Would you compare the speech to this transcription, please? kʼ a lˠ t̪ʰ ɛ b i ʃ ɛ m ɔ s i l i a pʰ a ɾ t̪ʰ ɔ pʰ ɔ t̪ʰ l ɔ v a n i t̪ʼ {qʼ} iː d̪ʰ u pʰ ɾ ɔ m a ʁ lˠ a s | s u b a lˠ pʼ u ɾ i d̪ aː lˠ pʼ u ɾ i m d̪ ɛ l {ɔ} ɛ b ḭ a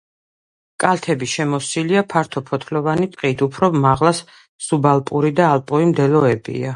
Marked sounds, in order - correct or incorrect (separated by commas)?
correct, correct